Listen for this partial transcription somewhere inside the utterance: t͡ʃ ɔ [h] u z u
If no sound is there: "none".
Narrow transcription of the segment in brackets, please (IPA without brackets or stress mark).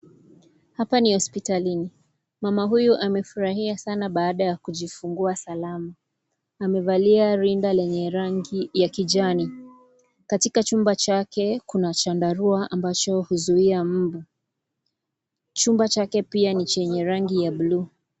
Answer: h